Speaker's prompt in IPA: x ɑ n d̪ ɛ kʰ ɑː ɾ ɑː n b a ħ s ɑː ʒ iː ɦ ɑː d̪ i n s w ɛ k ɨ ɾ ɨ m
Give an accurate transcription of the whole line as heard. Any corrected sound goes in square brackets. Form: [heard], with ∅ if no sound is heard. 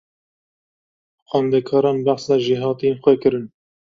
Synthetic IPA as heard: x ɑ n d̪ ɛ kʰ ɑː ɾ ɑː n b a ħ s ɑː ʒ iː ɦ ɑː [t̪] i n [x] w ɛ k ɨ ɾ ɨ [n]